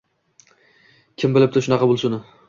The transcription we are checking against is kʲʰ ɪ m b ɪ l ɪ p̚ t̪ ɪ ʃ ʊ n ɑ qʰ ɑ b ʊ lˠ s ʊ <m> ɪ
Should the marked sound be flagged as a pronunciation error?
yes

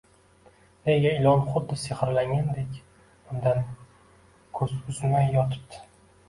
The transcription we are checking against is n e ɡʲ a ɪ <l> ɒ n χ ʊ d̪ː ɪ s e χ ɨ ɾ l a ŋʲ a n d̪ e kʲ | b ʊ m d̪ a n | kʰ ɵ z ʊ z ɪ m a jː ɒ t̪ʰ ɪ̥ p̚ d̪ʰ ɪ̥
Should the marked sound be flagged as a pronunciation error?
no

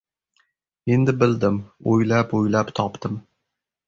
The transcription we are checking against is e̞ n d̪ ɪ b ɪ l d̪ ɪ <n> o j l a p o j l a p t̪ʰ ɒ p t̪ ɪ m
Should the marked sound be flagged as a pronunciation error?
yes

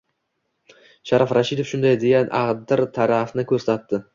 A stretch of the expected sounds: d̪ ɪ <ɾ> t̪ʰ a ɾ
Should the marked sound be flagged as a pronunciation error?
no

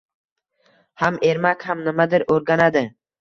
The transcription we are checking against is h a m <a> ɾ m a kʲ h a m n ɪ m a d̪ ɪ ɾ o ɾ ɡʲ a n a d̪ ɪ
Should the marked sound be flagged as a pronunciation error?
yes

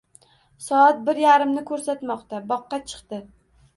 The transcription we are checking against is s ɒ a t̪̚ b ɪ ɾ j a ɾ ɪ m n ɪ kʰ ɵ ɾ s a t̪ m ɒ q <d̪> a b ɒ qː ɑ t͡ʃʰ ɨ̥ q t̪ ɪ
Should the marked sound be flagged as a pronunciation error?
yes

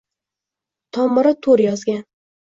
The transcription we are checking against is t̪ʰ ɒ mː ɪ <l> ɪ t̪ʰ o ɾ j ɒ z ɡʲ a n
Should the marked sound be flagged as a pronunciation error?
yes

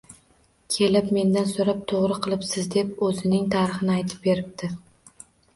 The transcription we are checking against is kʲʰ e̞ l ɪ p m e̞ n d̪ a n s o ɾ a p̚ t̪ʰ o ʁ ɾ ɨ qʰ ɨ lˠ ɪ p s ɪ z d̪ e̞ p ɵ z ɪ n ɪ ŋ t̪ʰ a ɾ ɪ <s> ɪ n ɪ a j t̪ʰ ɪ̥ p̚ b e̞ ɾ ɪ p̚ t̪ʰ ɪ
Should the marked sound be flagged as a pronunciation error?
yes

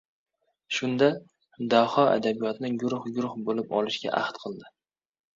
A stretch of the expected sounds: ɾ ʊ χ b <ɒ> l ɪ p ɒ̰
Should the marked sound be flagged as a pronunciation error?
yes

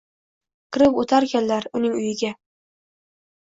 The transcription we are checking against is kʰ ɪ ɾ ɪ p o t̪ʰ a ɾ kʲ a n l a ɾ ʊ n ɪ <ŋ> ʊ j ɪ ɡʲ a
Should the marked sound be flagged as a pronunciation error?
no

